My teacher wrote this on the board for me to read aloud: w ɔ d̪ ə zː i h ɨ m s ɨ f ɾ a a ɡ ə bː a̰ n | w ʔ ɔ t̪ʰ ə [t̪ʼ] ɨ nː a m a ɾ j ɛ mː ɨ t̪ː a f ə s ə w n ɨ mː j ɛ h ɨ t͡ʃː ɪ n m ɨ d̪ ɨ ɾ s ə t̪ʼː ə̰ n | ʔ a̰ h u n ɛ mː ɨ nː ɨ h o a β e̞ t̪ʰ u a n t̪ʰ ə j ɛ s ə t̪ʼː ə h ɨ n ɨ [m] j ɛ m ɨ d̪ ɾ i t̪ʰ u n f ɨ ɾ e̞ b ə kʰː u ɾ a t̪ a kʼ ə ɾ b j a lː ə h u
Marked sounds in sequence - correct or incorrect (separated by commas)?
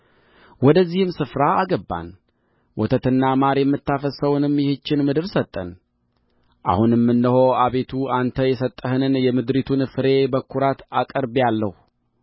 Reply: incorrect, incorrect